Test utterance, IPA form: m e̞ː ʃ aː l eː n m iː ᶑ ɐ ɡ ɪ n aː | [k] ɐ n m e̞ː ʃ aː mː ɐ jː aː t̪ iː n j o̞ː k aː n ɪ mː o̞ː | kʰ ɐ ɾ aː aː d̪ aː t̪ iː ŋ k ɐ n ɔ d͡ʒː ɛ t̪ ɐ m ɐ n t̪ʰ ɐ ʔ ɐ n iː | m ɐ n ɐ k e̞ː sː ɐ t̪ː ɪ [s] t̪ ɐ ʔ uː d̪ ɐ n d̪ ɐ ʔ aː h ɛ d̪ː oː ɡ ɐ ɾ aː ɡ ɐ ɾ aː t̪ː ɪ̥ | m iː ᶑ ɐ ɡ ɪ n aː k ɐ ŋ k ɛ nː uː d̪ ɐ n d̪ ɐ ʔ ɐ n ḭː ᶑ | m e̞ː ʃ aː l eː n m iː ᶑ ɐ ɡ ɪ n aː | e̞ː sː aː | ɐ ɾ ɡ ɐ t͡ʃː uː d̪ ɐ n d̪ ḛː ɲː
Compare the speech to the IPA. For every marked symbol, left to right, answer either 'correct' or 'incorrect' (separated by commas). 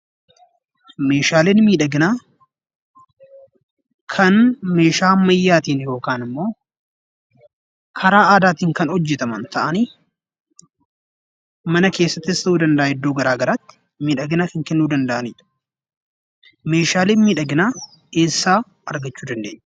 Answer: incorrect, correct